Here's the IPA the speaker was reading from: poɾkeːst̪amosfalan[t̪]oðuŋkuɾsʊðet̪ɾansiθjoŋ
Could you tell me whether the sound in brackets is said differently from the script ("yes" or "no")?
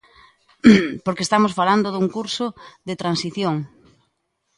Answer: yes